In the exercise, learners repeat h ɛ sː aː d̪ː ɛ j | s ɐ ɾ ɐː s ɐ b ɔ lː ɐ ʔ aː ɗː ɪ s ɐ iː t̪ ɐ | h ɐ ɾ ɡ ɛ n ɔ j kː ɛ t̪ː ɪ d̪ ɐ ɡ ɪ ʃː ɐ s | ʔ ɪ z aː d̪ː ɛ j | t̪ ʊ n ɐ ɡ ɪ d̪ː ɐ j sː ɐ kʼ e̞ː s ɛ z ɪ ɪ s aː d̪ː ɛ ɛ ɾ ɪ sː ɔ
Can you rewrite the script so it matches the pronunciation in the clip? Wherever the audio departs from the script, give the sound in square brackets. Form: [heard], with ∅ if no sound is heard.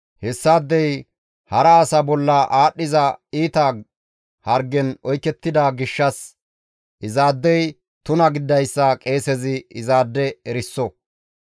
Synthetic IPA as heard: h ɛ sː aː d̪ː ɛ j | [h] ɐ ɾ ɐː s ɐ b ɔ lː ɐ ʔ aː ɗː ɪ [z] ɐ iː t̪ ɐ | h ɐ ɾ ɡ ɛ n ɔ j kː ɛ t̪ː ɪ d̪ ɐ ɡ ɪ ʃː ɐ s | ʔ ɪ z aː d̪ː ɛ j | t̪ ʊ n ɐ ɡ ɪ d̪ː ɐ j sː ɐ kʼ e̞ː s ɛ z ɪ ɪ [z] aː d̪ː ɛ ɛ ɾ ɪ sː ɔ